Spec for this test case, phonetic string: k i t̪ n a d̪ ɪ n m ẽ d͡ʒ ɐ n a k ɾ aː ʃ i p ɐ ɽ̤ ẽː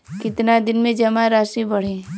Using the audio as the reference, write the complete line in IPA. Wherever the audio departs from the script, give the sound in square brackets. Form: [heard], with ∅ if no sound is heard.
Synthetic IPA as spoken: k [ɪ] t̪ n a d̪ ɪ n m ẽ d͡ʒ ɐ [m] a [∅] ɾ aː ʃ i [b] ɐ ɽ̤ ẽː